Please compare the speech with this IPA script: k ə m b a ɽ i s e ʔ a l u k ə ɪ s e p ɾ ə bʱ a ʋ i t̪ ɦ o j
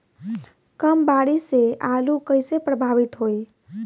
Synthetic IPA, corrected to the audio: k ə m b a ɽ i s e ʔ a l u k ə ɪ s e p ɾ ə bʱ a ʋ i t̪ ɦ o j